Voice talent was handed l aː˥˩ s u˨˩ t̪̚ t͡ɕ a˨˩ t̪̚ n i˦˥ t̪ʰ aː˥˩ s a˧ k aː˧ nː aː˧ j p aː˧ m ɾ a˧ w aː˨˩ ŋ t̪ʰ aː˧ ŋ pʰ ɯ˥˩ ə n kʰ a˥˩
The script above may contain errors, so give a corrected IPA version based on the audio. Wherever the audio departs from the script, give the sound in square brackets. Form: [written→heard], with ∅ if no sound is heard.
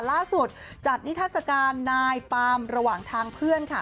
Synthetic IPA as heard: l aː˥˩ s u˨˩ t̪̚ t͡ɕ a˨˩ t̪̚ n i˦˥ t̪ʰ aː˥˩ s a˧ k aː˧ nː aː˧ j p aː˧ m ɾ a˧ w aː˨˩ ŋ t̪ʰ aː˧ ŋ pʰ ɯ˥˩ ə n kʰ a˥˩